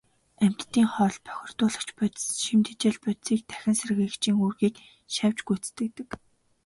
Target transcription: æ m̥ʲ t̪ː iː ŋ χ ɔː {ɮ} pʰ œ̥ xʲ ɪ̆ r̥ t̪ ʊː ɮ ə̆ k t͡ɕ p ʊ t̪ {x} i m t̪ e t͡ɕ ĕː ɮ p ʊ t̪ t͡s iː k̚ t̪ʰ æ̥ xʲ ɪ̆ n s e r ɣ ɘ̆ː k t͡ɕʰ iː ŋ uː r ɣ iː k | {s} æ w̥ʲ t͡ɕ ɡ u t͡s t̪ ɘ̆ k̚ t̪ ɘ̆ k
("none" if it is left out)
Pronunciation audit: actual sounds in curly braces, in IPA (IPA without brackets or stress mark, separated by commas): ɮ, ʃ, ʃ